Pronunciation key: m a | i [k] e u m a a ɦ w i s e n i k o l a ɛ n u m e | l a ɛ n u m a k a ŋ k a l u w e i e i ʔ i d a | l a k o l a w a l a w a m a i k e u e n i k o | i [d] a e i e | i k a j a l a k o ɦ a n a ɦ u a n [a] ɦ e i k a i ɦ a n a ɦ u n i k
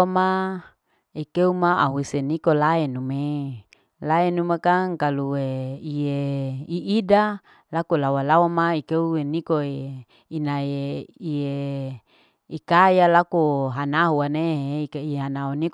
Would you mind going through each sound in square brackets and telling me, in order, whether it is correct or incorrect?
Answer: correct, incorrect, incorrect

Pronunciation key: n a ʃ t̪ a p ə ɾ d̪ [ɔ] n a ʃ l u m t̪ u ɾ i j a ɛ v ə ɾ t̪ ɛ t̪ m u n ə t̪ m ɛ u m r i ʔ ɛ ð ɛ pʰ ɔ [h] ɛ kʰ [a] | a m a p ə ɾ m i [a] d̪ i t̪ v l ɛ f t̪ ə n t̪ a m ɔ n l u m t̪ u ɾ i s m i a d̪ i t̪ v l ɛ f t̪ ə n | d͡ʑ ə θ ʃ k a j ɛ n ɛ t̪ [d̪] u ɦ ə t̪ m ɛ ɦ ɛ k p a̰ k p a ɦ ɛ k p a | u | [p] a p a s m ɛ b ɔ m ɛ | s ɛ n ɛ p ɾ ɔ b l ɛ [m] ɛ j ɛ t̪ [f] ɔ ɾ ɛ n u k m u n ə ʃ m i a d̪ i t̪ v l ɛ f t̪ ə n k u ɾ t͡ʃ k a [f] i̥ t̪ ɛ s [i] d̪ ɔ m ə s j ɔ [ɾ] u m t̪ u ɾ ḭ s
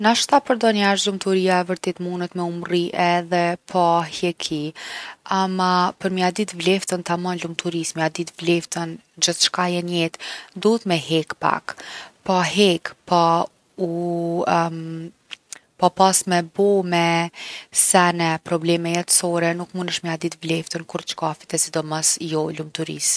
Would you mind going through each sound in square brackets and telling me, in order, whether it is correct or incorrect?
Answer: correct, correct, incorrect, correct, correct, correct, correct, incorrect, correct, correct, incorrect

